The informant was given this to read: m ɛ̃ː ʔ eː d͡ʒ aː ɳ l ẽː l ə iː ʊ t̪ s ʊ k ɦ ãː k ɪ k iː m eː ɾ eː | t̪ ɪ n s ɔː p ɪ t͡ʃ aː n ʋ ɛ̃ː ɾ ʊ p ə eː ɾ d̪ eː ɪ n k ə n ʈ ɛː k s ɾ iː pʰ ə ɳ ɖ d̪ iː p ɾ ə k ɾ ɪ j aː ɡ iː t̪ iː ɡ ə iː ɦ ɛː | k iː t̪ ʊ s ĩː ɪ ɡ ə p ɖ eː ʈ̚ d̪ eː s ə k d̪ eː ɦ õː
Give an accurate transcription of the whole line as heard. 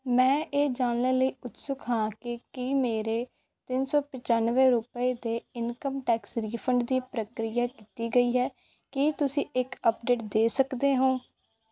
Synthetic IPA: m ɛ̃ː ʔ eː d͡ʒ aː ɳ l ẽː l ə iː ʊ t̪ s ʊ k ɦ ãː k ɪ k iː m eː ɾ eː | t̪ ɪ n s ɔː p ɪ t͡ʃ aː n ʋ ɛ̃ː ɾ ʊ p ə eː d̪ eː ɪ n k ə m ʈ ɛː k s ɾ iː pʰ ə ɳ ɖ d̪ iː p ɾ ə k ɾ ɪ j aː k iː t̪ iː ɡ ə iː ɦ ɛː | k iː t̪ ʊ s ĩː ɪ k ə p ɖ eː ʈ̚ d̪ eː s ə k d̪ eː ɦ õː